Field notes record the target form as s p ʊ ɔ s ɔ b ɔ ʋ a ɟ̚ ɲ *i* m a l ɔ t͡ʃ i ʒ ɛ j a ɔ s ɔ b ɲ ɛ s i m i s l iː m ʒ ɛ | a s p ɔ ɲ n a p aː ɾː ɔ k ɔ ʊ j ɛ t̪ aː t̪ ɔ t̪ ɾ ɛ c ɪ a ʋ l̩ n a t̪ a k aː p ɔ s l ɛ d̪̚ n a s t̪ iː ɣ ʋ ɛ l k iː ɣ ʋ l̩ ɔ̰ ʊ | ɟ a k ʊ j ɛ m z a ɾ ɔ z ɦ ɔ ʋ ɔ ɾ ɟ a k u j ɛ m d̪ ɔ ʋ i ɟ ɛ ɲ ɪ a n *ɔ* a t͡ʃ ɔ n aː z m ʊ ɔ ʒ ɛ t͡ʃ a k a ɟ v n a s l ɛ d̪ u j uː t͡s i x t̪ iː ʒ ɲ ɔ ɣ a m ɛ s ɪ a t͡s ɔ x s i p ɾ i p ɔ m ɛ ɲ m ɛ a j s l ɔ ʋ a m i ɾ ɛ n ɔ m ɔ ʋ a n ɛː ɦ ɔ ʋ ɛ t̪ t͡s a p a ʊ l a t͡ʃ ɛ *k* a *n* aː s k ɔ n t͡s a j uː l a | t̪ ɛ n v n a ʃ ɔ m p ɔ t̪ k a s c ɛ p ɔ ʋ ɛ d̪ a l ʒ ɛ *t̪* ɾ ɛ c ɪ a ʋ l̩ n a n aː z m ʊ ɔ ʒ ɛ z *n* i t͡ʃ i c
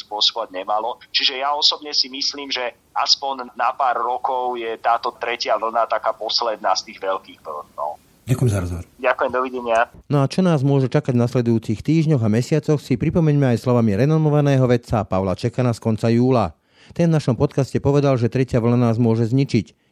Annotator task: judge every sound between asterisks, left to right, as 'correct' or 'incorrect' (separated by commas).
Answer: incorrect, correct, correct, correct, correct, incorrect